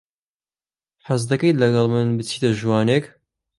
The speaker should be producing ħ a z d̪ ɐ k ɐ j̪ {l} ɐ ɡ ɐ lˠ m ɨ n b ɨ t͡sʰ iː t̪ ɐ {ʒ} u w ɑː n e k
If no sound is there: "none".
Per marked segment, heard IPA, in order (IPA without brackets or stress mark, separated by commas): l, ʒ